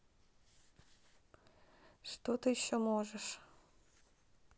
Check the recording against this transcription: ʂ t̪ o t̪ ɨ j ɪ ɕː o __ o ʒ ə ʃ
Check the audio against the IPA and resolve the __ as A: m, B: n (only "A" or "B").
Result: A